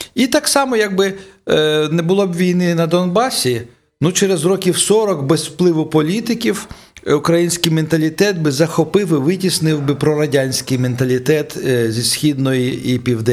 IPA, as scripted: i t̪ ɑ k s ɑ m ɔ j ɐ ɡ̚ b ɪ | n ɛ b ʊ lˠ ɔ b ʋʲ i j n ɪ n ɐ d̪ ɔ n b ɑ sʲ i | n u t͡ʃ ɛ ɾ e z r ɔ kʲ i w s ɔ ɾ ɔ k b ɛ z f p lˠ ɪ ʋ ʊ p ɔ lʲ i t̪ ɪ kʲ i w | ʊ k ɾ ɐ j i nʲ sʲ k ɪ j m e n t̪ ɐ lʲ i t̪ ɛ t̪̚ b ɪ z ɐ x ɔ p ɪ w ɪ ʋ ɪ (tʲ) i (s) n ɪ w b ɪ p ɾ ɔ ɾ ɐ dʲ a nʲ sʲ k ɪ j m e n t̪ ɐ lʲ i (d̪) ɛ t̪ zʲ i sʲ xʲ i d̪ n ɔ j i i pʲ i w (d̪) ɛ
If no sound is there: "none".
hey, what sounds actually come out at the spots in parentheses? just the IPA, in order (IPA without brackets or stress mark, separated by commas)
tʲ, s, t̪, d̪